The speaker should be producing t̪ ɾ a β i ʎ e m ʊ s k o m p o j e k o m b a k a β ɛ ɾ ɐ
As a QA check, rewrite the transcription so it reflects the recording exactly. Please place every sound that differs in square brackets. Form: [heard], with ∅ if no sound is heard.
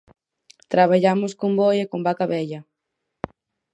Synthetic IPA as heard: t̪ ɾ a β [a] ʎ [a] m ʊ s k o m [b] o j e k o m b a k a β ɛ [ʎ] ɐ